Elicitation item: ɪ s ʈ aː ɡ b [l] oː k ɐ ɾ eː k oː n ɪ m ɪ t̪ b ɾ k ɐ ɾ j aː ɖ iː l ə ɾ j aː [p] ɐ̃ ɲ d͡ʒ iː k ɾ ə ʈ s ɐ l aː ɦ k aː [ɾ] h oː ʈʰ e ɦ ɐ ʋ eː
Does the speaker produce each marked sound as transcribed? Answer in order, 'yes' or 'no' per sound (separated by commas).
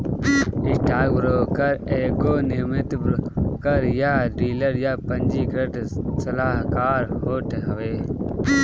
no, yes, yes